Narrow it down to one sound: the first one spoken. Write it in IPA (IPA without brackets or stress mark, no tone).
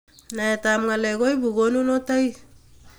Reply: n